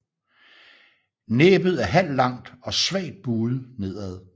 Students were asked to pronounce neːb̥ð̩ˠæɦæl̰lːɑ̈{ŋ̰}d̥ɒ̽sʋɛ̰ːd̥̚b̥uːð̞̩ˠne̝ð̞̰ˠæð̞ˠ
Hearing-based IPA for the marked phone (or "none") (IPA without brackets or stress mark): ŋ̰